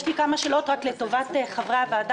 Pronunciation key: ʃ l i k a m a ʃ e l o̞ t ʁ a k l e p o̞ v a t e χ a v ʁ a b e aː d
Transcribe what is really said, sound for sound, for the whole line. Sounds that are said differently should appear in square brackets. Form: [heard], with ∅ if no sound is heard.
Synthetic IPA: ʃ l i k a m a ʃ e l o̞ t ʁ a k l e [t] o̞ v a t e χ a v ʁ a [v] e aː d